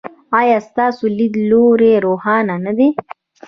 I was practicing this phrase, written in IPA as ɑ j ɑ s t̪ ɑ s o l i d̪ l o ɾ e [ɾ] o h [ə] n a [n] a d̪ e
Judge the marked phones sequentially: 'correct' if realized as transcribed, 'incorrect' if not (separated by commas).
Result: correct, incorrect, correct